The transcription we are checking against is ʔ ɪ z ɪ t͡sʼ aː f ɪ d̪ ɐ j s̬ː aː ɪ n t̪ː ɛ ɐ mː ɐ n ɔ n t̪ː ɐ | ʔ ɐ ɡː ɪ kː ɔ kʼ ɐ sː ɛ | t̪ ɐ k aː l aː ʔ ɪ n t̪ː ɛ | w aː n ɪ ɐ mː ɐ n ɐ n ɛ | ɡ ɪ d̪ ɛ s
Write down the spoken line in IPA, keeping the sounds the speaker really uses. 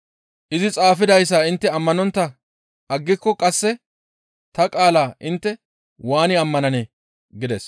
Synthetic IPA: ʔ ɪ z ɪ t͡sʼ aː f ɪ d̪ ɐ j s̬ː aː ɪ n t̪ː ɛ ɐ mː ɐ n ɔ n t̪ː ɐ | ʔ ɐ ɡː ɪ kː ɔ kʼ ɐ sː ɛ | t̪ ɐ kʼ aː l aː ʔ ɪ n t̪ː ɛ | w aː n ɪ ɐ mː ɐ n ɐ n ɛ | ɡ ɪ d̪ ɛ s